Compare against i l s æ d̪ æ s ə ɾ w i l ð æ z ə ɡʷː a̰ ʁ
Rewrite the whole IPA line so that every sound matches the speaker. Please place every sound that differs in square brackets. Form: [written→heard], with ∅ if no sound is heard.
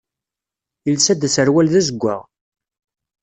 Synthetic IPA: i l s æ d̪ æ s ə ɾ w [i→æ] l ð æ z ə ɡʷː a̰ ʁ